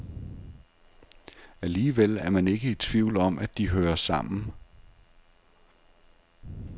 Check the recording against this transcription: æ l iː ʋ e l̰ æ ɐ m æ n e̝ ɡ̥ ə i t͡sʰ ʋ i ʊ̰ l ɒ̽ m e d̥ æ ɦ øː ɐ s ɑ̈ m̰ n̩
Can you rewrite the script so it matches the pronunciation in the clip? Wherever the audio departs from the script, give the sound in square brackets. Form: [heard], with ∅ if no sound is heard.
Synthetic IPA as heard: æ l iː ʋ e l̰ æ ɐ m æ n e̝ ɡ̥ ə i t͡sʰ ʋ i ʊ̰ l ɒ̽ m [æ] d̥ [i] ɦ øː ɐ s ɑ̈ m̰ n̩